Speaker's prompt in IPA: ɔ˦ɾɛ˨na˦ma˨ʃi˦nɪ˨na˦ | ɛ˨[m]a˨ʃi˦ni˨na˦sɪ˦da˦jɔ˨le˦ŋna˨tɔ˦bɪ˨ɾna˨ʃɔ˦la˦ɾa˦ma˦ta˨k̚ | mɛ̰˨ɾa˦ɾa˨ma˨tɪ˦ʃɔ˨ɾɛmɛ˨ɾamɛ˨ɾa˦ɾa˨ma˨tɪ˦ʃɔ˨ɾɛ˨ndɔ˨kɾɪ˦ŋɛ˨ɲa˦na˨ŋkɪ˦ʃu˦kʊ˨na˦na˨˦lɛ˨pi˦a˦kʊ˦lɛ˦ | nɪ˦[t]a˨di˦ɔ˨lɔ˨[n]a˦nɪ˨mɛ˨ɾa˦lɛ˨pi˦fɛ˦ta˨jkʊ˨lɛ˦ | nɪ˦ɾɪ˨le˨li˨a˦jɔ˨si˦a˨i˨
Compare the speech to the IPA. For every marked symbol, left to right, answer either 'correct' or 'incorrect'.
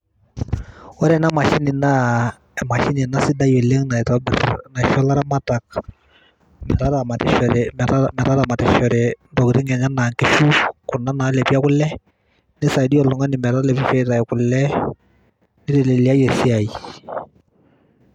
correct, incorrect, incorrect

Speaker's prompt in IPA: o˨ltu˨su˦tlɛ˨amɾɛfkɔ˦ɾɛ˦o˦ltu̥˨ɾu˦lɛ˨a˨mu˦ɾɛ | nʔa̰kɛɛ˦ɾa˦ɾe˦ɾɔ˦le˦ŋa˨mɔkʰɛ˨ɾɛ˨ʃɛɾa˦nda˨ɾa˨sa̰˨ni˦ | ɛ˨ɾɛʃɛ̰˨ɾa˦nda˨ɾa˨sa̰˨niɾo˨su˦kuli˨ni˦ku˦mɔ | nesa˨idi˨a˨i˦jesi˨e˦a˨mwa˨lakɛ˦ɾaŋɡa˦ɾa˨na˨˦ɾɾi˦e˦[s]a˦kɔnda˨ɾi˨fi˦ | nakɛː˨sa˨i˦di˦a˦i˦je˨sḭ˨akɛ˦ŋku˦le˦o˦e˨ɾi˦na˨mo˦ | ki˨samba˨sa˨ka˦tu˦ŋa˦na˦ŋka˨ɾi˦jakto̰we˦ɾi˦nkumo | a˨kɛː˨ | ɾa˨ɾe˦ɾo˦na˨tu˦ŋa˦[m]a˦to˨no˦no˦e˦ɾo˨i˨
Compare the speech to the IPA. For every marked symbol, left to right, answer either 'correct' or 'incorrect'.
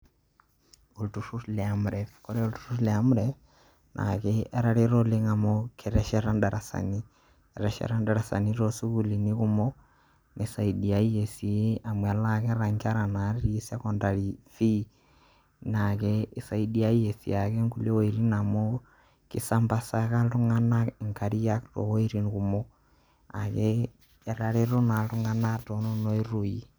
correct, incorrect

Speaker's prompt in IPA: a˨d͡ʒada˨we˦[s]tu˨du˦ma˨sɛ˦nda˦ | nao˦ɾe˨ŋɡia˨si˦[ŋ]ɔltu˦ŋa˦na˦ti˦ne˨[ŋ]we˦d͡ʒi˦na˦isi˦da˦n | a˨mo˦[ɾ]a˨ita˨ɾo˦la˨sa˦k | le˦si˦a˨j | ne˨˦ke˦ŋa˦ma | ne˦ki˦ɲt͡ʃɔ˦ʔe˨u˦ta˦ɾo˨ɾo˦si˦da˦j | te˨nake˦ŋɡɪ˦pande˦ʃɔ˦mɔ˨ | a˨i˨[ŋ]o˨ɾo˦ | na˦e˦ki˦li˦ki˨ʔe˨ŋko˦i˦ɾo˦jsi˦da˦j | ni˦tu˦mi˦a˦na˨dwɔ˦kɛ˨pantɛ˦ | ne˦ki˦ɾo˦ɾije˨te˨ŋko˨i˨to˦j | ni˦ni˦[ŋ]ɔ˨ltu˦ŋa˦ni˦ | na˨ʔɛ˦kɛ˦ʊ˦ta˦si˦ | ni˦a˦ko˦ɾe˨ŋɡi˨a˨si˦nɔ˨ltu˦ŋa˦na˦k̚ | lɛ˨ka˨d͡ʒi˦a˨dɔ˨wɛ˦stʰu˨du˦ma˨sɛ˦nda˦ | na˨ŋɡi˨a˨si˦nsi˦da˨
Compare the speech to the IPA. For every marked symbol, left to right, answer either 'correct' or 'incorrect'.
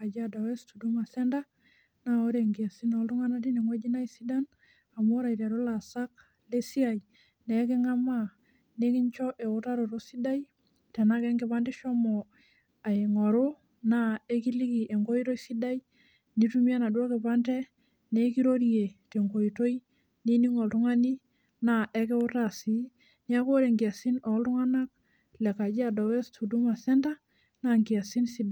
correct, incorrect, correct, correct, correct, correct

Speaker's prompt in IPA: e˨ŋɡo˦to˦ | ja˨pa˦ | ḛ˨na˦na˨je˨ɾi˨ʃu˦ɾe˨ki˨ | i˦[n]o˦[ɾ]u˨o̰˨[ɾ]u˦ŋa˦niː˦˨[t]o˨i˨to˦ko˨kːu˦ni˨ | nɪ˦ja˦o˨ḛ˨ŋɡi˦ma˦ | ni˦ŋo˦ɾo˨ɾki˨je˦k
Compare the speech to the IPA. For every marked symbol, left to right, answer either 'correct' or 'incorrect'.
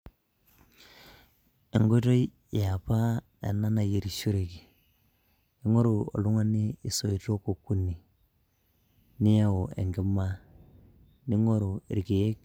incorrect, correct, incorrect, incorrect

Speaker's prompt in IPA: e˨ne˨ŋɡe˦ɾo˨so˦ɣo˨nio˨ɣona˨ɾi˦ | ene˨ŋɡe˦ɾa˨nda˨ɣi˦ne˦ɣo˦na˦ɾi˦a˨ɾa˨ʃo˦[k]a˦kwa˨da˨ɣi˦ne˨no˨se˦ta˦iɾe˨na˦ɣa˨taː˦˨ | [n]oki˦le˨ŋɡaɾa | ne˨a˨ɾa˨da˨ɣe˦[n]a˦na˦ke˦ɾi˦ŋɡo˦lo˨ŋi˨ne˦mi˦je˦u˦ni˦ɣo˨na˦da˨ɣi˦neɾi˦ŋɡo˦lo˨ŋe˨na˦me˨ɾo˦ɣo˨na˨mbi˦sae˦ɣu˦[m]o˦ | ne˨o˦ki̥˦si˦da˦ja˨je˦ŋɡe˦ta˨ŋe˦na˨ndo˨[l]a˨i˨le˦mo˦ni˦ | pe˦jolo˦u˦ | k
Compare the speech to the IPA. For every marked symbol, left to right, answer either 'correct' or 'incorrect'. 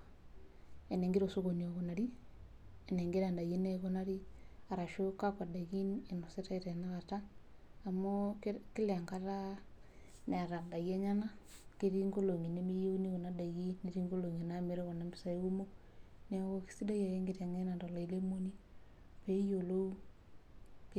correct, incorrect, incorrect, correct, correct

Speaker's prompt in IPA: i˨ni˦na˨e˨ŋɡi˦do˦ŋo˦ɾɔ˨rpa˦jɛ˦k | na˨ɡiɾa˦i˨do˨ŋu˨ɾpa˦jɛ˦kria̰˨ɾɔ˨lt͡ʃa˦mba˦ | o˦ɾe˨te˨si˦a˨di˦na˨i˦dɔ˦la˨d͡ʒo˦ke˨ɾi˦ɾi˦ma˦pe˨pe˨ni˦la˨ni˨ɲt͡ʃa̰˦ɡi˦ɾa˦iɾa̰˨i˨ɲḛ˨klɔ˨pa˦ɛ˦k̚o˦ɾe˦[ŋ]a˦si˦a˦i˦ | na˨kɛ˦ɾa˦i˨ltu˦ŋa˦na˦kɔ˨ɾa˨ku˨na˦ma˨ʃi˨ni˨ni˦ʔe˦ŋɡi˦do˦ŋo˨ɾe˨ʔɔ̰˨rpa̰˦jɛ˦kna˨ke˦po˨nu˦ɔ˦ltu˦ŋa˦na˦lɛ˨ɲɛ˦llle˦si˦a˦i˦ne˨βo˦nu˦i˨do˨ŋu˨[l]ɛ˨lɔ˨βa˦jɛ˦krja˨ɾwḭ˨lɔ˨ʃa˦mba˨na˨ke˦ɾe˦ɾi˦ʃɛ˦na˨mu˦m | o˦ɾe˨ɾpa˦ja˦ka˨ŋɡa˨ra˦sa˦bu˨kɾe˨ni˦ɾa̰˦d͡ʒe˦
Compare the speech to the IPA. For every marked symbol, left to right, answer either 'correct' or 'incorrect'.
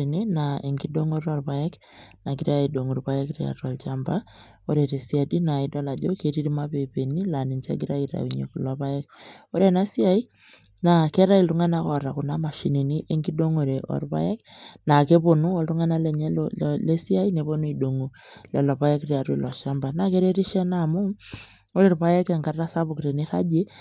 incorrect, correct

